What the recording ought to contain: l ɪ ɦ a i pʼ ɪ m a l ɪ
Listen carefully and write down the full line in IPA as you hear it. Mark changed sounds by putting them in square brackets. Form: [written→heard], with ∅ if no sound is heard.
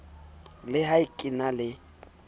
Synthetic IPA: l ɪ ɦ a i [pʼ→kʼ] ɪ [m→n] a l ɪ